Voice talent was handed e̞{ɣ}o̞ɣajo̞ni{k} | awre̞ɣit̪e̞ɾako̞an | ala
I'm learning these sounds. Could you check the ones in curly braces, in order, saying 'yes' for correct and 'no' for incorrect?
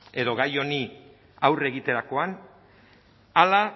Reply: no, no

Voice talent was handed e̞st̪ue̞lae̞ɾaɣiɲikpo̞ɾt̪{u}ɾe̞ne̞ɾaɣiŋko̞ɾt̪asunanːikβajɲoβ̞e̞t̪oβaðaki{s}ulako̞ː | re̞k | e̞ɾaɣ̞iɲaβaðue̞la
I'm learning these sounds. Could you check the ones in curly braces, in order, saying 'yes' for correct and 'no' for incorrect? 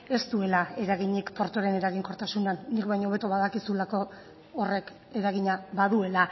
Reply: no, yes

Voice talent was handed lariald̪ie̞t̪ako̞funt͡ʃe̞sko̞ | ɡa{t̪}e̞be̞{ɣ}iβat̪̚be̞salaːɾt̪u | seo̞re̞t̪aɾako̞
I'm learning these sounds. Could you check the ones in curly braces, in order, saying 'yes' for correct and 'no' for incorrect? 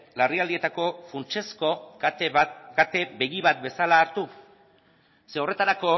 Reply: yes, yes

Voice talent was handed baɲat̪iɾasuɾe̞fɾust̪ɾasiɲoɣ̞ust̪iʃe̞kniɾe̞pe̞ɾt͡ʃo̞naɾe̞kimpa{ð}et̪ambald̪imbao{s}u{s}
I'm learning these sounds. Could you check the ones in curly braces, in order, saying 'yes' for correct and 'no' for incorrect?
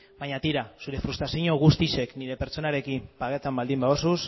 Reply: no, yes, yes

